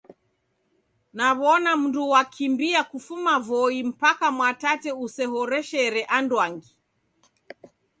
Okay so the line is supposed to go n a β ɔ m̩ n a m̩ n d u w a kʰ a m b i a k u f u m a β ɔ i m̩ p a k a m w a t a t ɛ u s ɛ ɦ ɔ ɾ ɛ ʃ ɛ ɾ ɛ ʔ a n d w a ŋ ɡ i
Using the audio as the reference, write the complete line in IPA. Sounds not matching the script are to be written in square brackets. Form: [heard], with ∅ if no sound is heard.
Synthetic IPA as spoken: n a β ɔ [∅] n a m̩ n d u w a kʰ [i] m b i a k u f u m a [v] ɔ i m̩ p a k a m w a t a t ɛ u s ɛ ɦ ɔ ɾ ɛ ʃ ɛ ɾ ɛ ʔ a n d w a ŋ ɡ i